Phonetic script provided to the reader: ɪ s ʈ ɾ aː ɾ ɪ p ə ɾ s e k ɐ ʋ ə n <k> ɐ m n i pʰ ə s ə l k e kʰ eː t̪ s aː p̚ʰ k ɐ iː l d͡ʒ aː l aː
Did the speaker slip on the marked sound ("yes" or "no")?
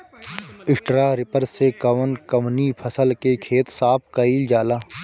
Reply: no